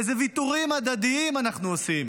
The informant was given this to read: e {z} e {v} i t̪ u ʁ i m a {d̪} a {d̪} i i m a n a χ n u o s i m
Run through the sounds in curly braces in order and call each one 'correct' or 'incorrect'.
correct, correct, correct, correct

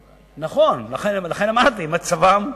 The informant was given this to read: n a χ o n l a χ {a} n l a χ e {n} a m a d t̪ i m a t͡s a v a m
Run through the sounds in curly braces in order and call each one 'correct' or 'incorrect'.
incorrect: e, correct

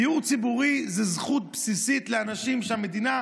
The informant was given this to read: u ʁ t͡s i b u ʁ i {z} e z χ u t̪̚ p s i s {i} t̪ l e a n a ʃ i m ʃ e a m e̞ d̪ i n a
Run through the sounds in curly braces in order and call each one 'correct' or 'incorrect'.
correct, correct

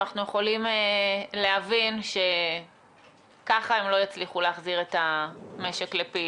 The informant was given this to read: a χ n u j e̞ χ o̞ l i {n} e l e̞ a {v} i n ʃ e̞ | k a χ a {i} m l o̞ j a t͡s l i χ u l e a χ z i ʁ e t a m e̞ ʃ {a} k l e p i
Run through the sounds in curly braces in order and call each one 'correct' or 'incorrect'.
incorrect: m, correct, incorrect: e, incorrect: e

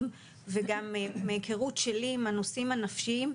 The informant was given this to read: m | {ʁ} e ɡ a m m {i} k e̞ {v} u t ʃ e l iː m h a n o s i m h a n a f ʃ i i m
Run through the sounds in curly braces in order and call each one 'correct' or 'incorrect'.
incorrect: v, incorrect: e, incorrect: ʁ

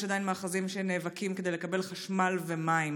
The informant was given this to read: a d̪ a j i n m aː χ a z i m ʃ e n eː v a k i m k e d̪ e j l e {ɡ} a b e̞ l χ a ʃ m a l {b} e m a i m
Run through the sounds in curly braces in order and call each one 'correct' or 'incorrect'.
incorrect: k, incorrect: v

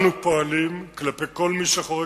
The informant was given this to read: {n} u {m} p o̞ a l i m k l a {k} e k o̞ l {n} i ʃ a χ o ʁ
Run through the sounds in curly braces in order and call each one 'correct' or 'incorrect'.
correct, incorrect: none, incorrect: p, incorrect: m

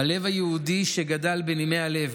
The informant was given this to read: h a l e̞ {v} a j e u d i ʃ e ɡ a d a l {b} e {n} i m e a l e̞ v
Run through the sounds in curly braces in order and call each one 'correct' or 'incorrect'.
correct, correct, correct

